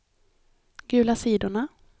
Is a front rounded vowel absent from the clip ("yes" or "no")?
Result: yes